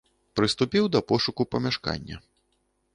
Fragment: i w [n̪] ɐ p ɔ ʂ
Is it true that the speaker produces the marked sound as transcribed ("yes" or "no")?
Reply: no